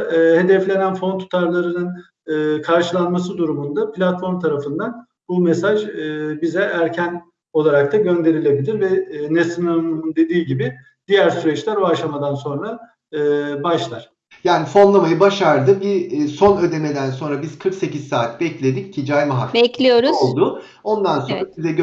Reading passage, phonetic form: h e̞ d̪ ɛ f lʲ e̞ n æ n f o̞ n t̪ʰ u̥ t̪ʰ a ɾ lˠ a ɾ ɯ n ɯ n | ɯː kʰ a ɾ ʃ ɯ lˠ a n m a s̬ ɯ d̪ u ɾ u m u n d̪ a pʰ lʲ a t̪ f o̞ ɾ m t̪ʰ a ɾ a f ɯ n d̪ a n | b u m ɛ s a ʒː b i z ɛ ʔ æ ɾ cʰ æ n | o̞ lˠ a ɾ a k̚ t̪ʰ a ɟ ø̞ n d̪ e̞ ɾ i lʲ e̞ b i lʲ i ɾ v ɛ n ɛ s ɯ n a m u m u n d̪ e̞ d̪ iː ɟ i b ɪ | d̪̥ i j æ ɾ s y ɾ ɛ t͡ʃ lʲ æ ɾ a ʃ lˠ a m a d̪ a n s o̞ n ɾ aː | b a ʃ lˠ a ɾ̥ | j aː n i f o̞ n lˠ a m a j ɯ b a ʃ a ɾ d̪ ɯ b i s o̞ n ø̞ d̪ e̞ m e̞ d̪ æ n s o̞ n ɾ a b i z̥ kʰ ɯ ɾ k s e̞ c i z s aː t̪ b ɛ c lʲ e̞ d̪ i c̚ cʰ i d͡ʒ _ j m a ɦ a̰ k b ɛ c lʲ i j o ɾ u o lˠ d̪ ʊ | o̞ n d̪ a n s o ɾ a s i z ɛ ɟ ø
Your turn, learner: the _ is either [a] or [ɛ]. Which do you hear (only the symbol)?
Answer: a